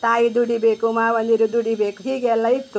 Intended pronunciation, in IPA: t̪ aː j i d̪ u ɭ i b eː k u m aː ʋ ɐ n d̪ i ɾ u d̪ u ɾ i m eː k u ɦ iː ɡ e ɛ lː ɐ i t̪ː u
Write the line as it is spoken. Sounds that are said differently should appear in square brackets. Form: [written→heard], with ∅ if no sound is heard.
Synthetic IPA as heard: t̪ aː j i d̪ u [ɭ→ɽ] i b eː k u m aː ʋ ɐ n d̪ i ɾ u d̪ u [ɾ→ɽ] i [m→b] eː k u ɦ iː ɡ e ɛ lː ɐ i t̪ː u